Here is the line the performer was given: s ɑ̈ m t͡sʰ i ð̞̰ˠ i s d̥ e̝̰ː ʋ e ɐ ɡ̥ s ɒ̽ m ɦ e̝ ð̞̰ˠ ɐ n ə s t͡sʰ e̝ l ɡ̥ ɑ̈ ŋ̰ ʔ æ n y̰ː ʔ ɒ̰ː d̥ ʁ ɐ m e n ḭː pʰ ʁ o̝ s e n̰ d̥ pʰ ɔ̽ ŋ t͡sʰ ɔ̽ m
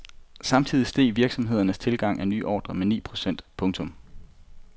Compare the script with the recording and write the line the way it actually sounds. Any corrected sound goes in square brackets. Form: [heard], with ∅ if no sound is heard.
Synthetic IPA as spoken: s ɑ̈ m t͡sʰ i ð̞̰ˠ i s d̥ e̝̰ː ʋ [i] ɐ ɡ̥ s ɒ̽ m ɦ e̝ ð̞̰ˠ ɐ n ə s t͡sʰ e̝ l ɡ̥ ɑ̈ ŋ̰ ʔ æ n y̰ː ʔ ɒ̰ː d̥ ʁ ɐ m e n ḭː pʰ ʁ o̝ s e n̰ d̥ pʰ ɔ̽ ŋ t͡sʰ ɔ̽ m